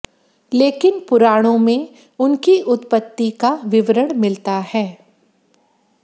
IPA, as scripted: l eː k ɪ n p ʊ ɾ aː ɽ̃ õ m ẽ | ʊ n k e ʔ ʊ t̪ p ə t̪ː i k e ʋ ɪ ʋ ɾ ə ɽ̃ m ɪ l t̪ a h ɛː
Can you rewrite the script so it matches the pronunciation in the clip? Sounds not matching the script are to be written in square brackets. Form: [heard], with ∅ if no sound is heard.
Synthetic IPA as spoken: l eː k ɪ n p ʊ ɾ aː ɽ̃ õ m ẽ | ʊ n k [i] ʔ ʊ t̪ p ə t̪ː i k [a] ʋ ɪ ʋ ɾ ə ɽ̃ m ɪ l t̪ a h ɛː